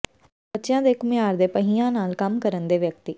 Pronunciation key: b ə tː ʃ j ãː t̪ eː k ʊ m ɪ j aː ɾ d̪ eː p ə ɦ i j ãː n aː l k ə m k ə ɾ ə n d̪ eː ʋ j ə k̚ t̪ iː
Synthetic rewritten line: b ə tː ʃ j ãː d̪ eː k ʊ m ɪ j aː ɾ d̪ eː p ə ɦ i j ãː n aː l k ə m k ə ɾ ə n d̪ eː ʋ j ə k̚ t̪ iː